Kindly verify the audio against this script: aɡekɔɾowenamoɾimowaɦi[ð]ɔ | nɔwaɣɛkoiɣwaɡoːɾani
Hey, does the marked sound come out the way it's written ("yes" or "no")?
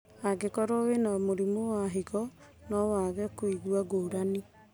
no